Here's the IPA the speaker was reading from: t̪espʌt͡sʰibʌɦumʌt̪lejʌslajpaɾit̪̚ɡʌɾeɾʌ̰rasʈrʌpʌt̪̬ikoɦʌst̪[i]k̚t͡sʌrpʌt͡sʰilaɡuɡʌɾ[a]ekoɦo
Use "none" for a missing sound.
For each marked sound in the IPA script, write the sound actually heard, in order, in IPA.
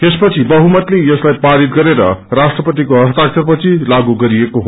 a, i

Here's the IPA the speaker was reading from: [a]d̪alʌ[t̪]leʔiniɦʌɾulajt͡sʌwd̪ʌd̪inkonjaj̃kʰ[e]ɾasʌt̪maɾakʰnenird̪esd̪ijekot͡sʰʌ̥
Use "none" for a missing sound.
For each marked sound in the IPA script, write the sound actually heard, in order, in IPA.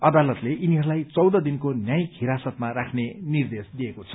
ʌ, t̪, i

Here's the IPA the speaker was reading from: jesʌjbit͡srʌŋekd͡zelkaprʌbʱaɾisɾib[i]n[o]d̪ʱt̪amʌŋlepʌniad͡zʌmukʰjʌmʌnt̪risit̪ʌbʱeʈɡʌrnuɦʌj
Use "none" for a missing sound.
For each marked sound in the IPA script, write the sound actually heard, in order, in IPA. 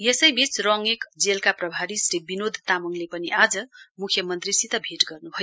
i, o

